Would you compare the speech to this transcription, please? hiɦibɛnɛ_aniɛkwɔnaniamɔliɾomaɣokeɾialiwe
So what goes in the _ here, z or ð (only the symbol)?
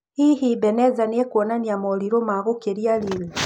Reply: z